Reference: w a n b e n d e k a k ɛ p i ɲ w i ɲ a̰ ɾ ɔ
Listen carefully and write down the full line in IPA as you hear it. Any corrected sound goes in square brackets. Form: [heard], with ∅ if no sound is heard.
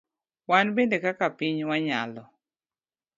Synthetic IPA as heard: w a n b e n d e k a k [a] p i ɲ w [a] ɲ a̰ [l] ɔ